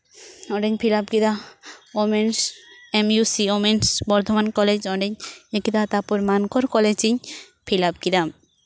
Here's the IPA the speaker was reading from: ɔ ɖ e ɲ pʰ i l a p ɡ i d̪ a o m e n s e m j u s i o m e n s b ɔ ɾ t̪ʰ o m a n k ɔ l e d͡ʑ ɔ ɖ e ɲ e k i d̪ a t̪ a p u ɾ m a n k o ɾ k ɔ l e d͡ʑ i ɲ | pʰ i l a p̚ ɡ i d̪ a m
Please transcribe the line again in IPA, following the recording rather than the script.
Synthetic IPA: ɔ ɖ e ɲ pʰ i l a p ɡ i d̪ a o m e n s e m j u s i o m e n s b ɔ ɾ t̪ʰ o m a n k ɔ l e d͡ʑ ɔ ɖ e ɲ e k i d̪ a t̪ a p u ɾ m a n k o ɾ k ɔ l e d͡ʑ i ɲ | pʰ i l a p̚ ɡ i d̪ a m